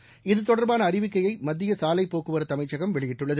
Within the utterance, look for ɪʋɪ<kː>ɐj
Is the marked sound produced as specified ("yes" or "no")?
yes